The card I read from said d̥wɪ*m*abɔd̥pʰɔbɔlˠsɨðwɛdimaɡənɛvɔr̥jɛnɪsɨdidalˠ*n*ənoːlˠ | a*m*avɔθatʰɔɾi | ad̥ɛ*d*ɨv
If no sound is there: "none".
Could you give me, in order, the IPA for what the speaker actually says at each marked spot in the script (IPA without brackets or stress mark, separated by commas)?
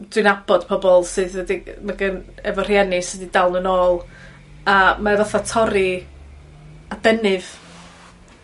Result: n, n, m, n